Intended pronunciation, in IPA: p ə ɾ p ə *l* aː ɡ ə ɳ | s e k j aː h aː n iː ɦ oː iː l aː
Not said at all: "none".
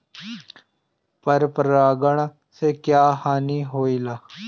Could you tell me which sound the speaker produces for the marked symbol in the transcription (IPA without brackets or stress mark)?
ɾ